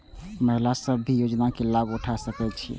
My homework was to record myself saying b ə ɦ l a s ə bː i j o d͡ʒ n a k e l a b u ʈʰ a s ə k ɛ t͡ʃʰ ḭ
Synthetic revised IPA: m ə ɦ l a s ə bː i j o d͡ʒ n a k e l a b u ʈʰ a s ə k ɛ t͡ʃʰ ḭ